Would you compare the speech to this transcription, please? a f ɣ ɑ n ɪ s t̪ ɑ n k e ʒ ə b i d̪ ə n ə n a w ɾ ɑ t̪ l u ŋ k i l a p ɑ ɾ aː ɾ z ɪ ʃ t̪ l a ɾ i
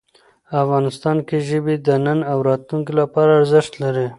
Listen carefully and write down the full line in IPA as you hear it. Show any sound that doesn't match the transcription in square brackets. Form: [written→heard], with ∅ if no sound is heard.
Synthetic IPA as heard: a f ɣ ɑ n ɪ s t̪ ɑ n k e ʒ ə b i d̪ ə n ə n a w ɾ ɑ t̪ l u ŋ k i l a p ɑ ɾ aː ɾ z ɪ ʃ t̪ l a ɾ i